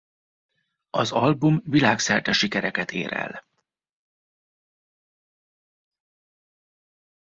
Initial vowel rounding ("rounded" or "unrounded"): rounded